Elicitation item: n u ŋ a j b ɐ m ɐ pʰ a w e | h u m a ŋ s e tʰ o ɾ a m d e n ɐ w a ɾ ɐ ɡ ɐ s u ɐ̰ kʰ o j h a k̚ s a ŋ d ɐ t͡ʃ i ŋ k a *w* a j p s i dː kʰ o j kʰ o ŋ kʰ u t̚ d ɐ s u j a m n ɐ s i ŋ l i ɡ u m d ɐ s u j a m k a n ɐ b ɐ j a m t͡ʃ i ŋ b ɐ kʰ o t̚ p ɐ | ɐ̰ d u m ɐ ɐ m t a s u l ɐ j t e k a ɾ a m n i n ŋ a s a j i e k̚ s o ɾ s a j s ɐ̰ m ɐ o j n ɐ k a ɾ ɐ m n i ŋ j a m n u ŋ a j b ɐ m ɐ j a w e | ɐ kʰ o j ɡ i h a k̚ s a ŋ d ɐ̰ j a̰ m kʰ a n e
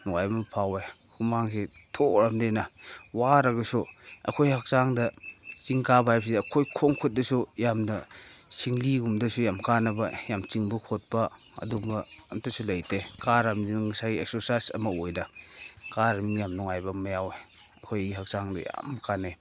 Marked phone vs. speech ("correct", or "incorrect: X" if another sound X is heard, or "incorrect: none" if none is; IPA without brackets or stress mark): incorrect: b